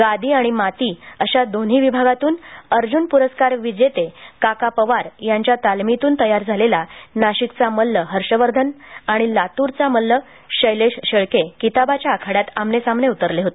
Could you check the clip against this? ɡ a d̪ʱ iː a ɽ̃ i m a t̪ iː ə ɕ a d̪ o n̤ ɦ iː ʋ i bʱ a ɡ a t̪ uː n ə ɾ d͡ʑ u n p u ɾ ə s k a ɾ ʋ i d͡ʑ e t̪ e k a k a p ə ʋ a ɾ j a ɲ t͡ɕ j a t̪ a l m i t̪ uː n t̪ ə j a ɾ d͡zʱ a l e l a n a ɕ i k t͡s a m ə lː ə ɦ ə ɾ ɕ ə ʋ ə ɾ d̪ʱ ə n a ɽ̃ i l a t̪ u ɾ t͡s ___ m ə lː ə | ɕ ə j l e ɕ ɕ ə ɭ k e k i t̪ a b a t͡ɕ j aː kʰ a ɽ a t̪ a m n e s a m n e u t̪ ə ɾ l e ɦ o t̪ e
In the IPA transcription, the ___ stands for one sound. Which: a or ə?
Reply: a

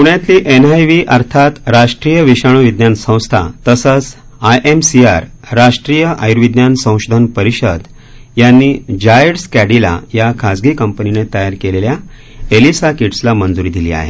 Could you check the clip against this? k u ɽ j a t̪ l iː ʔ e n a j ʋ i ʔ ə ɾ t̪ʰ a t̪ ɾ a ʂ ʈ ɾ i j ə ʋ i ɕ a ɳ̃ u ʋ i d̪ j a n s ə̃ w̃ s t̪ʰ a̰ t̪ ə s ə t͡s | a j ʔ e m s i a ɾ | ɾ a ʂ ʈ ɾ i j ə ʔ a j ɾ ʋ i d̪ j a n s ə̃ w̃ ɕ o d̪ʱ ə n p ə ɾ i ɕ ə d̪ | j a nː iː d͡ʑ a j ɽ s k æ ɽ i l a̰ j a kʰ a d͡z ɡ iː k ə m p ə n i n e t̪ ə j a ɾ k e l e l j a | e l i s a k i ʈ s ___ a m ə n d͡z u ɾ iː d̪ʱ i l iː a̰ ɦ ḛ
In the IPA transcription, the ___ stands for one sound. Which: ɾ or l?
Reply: l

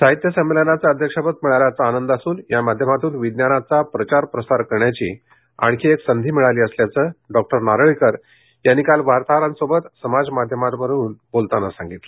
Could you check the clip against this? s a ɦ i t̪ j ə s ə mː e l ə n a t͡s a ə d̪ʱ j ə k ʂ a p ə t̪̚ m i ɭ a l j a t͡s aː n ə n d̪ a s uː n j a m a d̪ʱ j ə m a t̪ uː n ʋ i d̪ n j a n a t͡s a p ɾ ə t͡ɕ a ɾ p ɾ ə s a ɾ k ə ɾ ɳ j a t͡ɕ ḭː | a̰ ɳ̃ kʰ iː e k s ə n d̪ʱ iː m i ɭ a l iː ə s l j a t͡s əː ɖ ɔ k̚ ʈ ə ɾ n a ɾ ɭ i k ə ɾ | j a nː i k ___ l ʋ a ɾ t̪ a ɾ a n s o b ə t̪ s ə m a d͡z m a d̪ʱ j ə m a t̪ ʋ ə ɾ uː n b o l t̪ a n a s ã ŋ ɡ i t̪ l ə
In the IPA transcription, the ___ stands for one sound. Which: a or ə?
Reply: a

